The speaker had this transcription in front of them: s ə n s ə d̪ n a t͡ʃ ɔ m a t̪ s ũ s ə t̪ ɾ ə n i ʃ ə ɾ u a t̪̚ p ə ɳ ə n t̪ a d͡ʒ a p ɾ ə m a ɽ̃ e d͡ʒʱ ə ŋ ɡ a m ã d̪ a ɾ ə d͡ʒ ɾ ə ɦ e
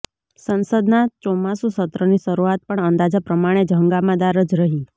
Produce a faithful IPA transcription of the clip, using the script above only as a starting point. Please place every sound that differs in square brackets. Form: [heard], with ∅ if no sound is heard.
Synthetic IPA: s ə n s ə d̪ n a t͡ʃ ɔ m a [∅] s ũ s ə t̪ ɾ ə n i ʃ ə ɾ u a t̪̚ p ə ɳ ə n [d̪] a d͡ʒ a p ɾ ə m a ɽ̃ e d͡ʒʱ ə ŋ ɡ a m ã d̪ a ɾ ə d͡ʒ ɾ ə ɦ [i]